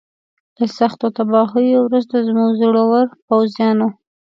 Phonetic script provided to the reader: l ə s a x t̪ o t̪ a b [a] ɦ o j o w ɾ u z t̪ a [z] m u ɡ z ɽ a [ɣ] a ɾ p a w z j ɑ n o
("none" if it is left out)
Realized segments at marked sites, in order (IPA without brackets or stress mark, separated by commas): ɑ, z, w